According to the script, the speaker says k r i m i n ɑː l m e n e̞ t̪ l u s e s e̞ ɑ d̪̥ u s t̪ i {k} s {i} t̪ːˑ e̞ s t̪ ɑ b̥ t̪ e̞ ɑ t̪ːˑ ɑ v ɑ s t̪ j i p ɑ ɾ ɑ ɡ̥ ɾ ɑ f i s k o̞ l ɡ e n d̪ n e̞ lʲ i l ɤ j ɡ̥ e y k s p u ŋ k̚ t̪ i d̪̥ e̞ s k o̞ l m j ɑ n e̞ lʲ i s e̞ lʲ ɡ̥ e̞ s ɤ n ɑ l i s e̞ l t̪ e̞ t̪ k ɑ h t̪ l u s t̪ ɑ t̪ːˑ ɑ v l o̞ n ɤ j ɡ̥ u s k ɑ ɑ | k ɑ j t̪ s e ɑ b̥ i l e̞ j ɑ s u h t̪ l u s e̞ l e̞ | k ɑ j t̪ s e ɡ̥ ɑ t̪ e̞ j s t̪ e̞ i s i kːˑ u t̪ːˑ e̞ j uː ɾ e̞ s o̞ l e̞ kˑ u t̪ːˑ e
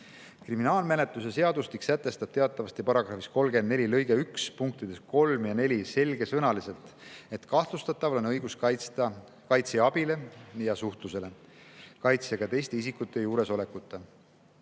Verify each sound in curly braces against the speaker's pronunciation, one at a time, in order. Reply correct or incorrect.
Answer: correct, incorrect: æ

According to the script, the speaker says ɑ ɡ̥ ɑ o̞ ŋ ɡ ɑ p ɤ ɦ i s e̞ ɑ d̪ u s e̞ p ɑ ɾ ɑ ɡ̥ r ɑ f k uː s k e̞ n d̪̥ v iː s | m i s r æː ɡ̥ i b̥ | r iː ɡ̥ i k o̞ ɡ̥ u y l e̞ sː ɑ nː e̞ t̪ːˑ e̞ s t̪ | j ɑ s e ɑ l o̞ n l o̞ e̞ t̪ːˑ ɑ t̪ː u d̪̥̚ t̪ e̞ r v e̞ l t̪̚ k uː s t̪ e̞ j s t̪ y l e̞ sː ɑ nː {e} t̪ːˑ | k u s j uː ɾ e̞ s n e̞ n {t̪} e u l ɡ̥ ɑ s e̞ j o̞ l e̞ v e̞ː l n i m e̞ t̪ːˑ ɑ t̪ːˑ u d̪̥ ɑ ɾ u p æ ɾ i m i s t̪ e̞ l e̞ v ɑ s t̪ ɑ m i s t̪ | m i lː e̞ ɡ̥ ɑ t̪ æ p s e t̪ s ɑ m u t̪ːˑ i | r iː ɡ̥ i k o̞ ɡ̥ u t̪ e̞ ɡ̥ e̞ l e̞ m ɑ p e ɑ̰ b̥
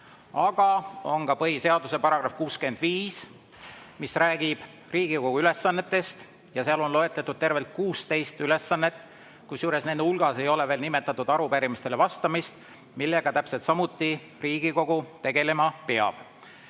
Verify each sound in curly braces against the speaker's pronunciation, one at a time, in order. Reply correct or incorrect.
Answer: correct, incorrect: d̪

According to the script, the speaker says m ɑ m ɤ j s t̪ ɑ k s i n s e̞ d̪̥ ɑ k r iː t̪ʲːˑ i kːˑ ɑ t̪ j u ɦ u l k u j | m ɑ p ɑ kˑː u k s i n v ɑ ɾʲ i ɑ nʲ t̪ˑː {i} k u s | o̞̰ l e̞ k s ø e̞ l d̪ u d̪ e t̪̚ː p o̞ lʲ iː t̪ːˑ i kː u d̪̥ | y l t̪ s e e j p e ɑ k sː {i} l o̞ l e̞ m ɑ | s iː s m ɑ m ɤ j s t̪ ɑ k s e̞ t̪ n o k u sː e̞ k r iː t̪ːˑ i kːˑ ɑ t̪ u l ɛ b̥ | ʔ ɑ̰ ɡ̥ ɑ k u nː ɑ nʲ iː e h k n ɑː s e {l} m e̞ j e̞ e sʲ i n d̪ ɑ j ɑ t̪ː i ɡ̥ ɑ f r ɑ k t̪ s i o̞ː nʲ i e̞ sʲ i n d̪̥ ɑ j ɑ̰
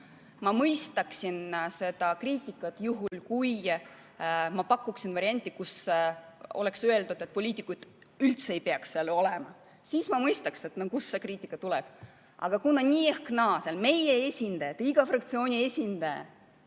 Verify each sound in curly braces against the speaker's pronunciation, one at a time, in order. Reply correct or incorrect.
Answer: correct, incorrect: e, correct

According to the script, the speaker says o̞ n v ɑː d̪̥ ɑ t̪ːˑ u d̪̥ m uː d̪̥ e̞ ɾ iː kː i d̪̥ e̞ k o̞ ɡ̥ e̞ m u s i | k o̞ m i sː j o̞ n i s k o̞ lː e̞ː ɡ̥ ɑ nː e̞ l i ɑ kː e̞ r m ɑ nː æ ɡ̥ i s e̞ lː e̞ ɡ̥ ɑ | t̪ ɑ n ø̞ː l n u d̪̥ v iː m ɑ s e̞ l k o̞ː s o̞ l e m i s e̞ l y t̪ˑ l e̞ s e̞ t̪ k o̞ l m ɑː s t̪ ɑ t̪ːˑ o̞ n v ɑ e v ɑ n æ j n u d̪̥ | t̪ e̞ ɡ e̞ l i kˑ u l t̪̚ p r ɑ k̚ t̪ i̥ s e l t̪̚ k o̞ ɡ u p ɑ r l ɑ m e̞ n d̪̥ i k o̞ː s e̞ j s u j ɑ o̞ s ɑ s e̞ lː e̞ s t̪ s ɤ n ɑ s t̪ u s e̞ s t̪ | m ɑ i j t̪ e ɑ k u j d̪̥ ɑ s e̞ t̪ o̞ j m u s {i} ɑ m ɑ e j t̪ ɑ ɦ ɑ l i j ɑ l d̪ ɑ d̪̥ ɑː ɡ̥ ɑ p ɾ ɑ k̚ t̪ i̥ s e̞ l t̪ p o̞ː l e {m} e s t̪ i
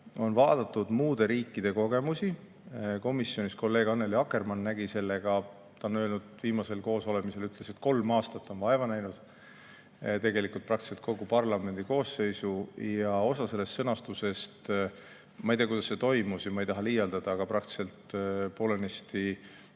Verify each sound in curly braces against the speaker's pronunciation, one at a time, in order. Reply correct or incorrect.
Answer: incorrect: j, incorrect: n

